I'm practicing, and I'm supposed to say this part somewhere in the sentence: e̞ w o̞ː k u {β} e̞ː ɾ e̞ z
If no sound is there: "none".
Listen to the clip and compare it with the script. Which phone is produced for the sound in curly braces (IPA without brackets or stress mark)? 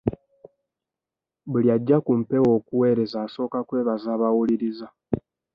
w